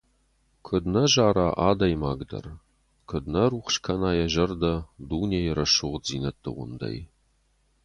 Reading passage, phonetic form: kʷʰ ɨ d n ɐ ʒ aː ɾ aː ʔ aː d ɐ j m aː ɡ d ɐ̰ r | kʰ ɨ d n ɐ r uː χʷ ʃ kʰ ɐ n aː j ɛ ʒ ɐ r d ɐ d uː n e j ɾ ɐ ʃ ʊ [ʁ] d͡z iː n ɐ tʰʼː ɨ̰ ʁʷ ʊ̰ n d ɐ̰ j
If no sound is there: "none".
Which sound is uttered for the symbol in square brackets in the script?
ʁ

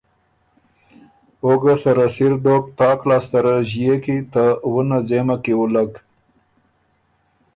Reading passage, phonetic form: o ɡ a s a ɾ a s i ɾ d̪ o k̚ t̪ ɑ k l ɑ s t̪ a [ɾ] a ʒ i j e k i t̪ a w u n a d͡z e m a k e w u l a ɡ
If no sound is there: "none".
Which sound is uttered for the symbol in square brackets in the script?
ɾ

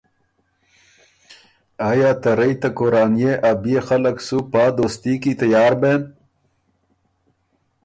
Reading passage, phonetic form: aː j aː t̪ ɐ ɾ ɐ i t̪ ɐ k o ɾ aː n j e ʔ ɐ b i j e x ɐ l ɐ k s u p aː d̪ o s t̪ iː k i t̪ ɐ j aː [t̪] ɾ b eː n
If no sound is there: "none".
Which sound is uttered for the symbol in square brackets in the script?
none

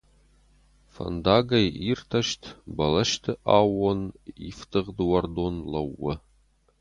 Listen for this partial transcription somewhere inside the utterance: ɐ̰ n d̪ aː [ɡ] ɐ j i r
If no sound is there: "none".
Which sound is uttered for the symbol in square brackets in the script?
ɡ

